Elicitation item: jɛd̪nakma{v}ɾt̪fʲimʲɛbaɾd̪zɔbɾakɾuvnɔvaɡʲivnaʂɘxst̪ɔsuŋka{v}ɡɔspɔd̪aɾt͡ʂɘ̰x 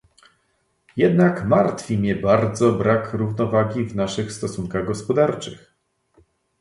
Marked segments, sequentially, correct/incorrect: incorrect: none, incorrect: ɣ

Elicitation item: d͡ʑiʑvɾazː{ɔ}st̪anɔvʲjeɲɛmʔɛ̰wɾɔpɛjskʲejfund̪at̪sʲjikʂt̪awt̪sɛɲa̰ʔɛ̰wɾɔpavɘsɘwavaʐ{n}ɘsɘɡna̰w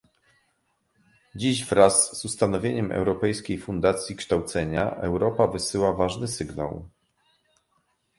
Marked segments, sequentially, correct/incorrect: incorrect: u, correct

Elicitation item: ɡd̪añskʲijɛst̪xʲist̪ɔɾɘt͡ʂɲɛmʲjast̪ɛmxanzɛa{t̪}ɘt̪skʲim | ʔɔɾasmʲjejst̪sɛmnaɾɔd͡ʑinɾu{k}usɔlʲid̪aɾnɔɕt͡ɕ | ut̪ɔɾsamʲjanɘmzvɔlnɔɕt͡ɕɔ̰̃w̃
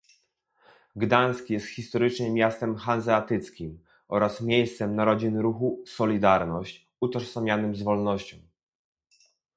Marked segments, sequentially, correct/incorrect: correct, incorrect: x

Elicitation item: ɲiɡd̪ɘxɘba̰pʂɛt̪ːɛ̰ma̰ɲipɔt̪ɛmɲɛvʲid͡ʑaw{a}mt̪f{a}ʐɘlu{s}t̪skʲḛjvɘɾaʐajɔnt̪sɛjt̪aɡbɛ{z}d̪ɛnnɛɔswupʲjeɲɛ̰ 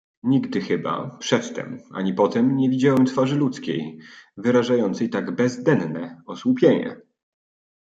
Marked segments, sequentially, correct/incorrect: incorrect: ɛ, correct, incorrect: none, correct

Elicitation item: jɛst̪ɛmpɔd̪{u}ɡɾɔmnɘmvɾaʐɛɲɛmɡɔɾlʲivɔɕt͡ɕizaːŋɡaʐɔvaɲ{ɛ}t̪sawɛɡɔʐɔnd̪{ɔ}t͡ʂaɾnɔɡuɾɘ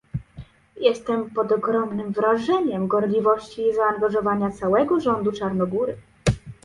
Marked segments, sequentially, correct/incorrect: incorrect: ɔ, incorrect: a, incorrect: u

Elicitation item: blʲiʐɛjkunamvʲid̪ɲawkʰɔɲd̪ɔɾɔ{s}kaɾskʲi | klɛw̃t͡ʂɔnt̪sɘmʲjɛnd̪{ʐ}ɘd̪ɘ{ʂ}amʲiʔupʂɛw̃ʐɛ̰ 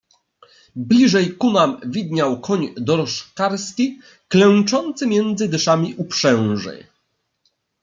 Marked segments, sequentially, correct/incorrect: incorrect: ʂ, incorrect: z, correct

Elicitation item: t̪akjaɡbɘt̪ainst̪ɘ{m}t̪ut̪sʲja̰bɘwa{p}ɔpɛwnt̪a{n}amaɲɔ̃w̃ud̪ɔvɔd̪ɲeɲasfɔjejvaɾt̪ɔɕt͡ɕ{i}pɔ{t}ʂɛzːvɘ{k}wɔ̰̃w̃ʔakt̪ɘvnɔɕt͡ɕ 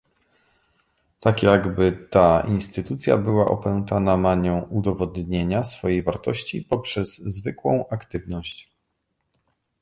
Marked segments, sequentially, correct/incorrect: incorrect: none, incorrect: ʔ, correct, correct, incorrect: p, correct

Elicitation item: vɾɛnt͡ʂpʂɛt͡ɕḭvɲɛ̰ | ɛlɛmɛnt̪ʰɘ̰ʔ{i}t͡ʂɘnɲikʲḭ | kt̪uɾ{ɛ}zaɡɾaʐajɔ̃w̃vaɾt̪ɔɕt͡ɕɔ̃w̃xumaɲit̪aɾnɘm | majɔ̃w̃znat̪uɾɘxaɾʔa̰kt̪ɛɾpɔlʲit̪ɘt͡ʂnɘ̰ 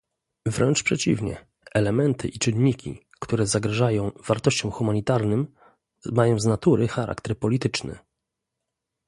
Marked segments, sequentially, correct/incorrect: correct, correct

